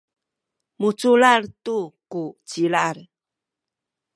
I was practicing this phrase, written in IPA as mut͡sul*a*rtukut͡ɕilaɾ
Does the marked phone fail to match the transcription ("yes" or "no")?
no